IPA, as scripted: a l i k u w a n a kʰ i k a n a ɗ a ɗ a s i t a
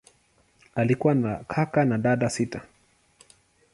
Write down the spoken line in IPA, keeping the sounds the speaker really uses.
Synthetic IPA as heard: a l i k u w a n a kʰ a k a n a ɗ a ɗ a s i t a